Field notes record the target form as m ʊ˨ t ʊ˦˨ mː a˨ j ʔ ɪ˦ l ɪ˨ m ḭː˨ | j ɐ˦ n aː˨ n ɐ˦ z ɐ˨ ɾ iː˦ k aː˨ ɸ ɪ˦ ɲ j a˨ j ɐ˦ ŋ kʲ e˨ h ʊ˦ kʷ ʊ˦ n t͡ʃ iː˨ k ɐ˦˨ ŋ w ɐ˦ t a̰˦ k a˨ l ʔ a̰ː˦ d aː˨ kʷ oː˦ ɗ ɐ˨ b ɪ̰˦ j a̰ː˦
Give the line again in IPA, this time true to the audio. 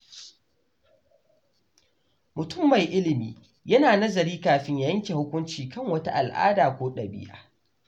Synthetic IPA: m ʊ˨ t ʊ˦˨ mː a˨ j ʔ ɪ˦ l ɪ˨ m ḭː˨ | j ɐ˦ n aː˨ n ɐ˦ z ɐ˨ ɾ iː˦ k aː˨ ɸ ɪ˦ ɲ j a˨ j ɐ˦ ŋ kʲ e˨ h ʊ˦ kʷ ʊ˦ n t͡ʃ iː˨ k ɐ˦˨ ŋ w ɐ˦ t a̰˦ ʔ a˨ l ʔ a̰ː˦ d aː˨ kʷ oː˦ ɗ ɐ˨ b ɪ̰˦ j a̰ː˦